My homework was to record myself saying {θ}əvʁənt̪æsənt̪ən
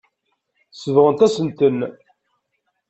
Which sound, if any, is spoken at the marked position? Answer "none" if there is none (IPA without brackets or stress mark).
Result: s